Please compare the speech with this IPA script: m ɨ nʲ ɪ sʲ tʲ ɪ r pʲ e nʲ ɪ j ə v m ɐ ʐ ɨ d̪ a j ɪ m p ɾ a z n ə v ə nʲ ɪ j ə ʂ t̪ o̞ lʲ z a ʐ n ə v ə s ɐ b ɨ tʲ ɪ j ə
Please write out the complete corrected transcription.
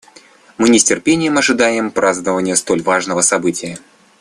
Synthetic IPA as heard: m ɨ nʲ ɪ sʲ tʲ ɪ r pʲ e nʲ ɪ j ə m ɐ ʐ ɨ d̪ a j ɪ m p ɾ a z n ə v ə nʲ ɪ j ə s t̪ o̞ lʲ v a ʐ n ə v ə s ɐ b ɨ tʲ ɪ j ə